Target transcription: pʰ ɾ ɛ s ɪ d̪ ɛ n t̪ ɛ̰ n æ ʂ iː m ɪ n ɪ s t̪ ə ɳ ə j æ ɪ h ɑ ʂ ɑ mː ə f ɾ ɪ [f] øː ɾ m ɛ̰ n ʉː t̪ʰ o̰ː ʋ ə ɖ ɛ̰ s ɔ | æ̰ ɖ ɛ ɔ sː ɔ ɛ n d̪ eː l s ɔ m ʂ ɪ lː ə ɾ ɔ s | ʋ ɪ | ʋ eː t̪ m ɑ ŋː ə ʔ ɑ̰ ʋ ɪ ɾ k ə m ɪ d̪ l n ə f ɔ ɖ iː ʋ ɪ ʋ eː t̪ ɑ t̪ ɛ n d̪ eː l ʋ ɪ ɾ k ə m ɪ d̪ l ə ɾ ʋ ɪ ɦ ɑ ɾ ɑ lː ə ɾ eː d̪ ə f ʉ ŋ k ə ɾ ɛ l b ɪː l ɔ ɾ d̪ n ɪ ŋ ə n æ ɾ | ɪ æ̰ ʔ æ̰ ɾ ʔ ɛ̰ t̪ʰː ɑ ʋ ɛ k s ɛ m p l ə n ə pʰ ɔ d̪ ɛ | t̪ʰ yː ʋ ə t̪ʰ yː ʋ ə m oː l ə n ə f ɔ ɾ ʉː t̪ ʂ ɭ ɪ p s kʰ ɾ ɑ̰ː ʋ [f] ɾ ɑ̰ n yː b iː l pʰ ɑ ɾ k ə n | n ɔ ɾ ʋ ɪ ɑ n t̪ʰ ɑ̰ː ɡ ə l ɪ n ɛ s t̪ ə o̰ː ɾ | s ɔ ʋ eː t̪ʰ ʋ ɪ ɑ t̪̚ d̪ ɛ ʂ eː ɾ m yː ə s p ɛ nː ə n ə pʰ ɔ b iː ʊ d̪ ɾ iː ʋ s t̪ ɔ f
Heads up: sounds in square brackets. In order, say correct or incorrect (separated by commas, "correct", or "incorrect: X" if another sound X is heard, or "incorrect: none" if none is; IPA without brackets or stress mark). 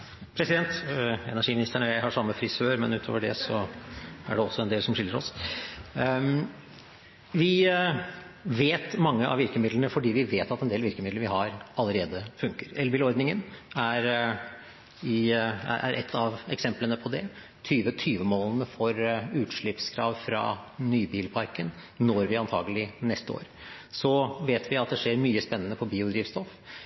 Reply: incorrect: s, correct